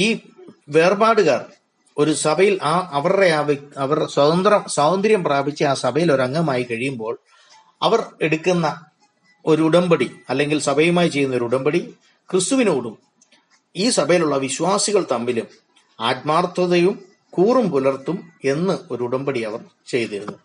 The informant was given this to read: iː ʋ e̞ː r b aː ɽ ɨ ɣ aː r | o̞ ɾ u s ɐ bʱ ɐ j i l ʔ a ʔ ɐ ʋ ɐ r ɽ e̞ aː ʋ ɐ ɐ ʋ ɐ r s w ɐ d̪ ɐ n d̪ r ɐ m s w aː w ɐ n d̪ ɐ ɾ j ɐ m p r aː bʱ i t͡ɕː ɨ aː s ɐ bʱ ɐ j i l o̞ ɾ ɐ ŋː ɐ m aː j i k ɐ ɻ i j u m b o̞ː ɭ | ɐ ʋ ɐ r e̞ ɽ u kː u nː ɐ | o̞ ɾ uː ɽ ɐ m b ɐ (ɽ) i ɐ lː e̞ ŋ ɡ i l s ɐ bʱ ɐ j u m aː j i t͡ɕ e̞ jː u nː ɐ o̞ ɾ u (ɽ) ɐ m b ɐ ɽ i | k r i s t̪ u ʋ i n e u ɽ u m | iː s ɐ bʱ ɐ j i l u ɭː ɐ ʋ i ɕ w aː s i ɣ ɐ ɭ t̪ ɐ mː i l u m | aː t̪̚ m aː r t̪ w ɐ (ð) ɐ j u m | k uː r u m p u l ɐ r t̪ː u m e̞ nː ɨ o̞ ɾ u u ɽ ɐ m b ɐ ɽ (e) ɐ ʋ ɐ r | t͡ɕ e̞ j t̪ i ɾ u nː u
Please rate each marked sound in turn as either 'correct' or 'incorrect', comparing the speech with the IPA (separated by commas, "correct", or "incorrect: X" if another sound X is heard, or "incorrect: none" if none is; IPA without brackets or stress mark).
correct, correct, correct, incorrect: i